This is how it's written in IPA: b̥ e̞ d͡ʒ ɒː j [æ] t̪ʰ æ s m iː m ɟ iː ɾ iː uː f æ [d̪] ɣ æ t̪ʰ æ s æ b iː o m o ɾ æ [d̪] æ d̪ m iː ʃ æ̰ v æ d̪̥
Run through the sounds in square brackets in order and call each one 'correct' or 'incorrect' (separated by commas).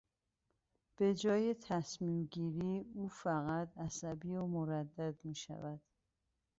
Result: incorrect, incorrect, incorrect